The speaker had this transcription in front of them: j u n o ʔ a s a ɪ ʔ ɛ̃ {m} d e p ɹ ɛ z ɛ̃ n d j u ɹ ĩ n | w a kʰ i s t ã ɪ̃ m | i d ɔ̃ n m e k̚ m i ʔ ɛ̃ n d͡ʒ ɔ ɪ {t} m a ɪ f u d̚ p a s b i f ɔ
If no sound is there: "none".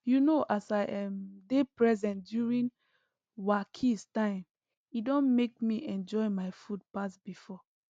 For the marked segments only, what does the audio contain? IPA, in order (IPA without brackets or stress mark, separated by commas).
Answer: m, none